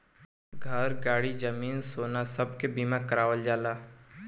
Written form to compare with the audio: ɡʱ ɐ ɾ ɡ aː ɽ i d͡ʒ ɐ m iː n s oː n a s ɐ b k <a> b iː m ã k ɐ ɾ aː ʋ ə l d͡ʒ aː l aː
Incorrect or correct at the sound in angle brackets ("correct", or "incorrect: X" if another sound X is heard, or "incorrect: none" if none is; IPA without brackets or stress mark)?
incorrect: e